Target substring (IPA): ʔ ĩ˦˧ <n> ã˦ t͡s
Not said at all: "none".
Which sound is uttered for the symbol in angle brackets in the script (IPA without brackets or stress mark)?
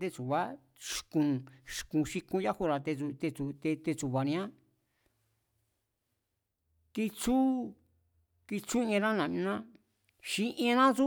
n